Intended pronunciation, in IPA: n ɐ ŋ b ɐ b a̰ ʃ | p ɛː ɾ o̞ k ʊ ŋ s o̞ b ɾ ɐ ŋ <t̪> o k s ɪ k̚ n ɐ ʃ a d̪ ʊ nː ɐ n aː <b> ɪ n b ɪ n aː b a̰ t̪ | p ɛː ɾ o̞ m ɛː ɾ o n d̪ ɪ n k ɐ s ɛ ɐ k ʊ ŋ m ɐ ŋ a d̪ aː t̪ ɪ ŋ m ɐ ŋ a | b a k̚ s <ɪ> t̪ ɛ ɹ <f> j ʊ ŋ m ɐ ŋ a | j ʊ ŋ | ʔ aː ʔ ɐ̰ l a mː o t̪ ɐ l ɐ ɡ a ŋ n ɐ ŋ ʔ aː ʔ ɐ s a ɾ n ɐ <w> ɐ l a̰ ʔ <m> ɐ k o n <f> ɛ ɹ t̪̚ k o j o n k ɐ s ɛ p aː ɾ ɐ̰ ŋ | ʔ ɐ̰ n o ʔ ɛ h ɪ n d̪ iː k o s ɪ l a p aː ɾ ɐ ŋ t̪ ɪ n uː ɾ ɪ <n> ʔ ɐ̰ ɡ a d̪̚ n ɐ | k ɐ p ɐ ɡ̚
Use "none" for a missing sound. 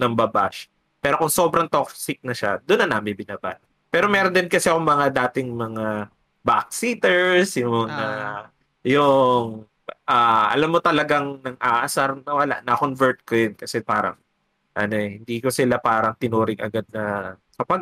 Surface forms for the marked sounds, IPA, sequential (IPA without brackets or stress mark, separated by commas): t̪, m, i, s, w, n, v, ŋ